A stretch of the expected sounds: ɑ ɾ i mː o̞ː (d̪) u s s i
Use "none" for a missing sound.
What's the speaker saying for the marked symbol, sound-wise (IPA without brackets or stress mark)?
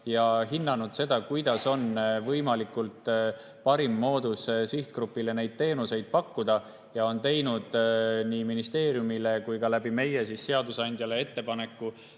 d̪